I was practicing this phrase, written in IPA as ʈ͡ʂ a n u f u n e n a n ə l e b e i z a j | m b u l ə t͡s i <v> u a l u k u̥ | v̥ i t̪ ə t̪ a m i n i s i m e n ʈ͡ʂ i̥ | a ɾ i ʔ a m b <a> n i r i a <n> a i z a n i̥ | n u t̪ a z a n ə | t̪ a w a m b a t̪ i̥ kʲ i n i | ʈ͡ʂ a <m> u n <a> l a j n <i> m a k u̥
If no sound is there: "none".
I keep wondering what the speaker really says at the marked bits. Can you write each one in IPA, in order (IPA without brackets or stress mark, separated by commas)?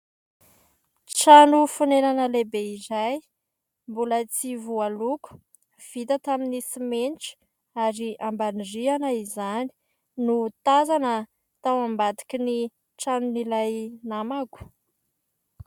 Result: v, a, n, n, i, a